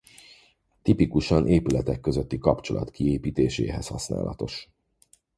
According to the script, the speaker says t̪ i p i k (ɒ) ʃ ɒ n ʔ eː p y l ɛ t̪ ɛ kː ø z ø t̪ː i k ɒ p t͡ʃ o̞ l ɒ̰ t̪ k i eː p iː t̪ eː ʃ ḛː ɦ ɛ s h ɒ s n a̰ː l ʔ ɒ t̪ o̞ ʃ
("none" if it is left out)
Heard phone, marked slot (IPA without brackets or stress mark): u